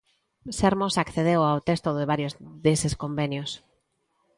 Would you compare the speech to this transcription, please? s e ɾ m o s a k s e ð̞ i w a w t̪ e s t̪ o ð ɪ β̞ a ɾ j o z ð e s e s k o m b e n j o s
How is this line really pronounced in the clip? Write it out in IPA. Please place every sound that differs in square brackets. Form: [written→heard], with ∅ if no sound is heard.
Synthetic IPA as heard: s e ɾ m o s a k [s→θ] e ð̞ [i→e] w a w t̪ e s t̪ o ð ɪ β̞ a ɾ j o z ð e s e s k o m b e n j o s